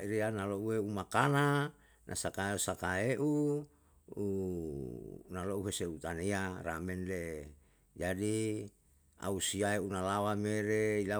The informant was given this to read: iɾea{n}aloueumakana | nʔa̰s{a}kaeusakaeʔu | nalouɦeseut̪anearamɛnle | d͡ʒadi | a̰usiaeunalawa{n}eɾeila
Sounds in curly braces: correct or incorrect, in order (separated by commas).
correct, correct, incorrect